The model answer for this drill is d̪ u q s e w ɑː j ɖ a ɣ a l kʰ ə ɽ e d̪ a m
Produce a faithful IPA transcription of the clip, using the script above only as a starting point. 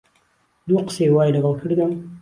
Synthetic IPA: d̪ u q s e w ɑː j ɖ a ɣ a l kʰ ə ɽ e d̪ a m

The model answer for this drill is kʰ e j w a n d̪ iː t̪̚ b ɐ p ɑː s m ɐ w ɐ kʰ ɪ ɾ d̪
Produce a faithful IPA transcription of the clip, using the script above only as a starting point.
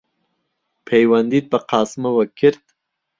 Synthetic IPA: pʰ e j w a n d̪ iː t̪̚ b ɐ q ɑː s m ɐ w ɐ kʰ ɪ ɾ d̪

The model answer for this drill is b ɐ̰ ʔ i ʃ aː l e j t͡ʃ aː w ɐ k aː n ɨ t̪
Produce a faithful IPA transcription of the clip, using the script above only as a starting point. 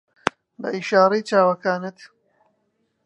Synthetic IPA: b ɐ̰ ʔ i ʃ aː ɾ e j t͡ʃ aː w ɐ k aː n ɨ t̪

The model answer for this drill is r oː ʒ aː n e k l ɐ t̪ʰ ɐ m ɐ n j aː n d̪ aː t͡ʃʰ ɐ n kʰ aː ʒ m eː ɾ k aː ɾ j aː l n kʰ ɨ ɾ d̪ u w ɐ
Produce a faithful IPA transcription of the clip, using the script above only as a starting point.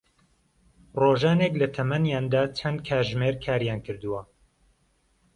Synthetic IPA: r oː ʒ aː n e k l ɐ t̪ʰ ɐ m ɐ n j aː n d̪ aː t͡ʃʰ ɐ n kʰ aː ʒ m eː ɾ kʰ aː ɾ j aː n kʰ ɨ ɾ d̪ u w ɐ

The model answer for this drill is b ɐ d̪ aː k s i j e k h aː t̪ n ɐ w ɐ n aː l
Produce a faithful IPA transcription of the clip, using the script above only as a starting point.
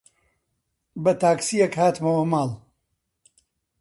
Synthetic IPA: b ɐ t̪ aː k s i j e k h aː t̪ m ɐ w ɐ m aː l

